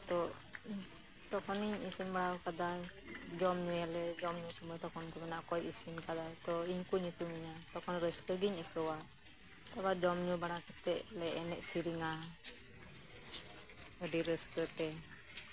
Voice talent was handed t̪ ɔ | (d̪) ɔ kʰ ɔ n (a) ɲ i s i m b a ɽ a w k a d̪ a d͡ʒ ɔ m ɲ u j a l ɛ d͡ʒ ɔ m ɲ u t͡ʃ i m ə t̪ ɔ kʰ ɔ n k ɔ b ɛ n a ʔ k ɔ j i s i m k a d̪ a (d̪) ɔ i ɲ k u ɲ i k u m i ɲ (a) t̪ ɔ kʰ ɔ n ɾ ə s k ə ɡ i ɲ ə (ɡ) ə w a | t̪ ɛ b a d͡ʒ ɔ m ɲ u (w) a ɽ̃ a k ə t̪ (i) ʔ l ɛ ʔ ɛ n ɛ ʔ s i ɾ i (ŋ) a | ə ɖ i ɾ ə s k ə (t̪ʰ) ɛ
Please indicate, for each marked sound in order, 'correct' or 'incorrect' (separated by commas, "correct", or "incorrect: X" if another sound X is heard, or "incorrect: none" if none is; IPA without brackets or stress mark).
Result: incorrect: t̪, incorrect: i, incorrect: t̪, correct, incorrect: k, incorrect: b, incorrect: ɛ, correct, incorrect: t̪